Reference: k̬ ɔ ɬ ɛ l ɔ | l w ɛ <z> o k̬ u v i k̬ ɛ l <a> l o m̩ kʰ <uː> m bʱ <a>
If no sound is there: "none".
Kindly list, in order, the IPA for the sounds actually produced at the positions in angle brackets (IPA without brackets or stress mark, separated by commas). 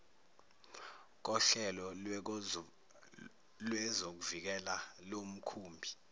z, a, uː, i